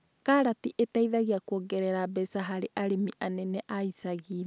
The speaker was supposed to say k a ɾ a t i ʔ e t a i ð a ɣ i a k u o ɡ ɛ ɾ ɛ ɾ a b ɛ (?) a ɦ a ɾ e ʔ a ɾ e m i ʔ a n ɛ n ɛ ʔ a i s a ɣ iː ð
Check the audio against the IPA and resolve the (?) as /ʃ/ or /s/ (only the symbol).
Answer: s